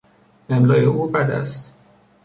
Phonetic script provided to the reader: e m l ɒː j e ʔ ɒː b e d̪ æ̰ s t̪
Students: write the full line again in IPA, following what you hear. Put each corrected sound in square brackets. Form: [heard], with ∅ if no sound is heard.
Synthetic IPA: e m l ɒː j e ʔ [uː] b [æ] d̪ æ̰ s t̪